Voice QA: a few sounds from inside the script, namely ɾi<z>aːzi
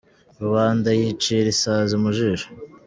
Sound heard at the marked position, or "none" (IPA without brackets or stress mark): s